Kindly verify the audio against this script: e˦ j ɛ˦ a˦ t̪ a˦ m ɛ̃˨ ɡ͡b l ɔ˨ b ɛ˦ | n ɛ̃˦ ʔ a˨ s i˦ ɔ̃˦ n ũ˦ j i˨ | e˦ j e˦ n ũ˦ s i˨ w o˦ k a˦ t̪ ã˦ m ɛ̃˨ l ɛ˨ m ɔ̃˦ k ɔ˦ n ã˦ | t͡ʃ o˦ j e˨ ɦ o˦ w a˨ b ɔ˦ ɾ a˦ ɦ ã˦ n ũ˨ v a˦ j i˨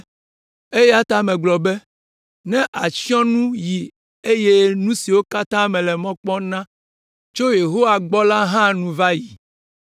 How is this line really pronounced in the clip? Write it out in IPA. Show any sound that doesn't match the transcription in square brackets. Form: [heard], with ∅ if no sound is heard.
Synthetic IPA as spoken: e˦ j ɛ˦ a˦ t̪ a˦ m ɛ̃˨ ɡ͡b l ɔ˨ b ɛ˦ | n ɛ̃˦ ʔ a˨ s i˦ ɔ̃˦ n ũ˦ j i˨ | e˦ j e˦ n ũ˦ s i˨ w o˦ k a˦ t̪ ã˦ m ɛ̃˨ l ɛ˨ m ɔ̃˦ [k͡p] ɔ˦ n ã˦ | t͡ʃ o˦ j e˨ ɦ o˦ w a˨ [ɡ͡b] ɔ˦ [l] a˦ ɦ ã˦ n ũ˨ v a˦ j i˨